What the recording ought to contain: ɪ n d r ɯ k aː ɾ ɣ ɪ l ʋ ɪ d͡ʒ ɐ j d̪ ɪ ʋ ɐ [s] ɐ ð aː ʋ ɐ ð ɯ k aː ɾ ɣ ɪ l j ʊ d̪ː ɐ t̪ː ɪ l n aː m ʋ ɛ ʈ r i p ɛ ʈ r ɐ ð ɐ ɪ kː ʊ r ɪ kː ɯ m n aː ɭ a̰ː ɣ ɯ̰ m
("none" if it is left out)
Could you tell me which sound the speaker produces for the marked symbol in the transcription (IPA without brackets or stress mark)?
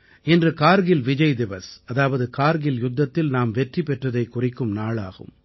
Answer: s